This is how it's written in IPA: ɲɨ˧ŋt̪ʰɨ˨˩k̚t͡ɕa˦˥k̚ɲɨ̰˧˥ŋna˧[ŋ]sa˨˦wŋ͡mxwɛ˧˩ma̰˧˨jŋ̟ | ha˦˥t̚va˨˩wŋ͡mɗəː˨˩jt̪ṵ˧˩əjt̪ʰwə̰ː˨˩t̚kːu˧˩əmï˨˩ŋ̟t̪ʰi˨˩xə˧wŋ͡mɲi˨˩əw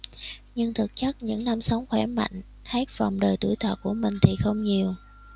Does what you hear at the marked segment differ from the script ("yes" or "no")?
yes